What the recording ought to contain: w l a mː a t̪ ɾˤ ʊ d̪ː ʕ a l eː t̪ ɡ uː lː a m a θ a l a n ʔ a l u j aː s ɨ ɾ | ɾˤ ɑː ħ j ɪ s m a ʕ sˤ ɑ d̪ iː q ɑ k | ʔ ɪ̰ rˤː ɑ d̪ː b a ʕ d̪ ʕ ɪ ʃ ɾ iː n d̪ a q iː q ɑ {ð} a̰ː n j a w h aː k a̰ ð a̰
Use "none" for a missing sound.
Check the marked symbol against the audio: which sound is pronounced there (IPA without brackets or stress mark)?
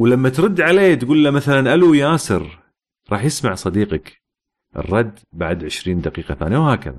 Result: θ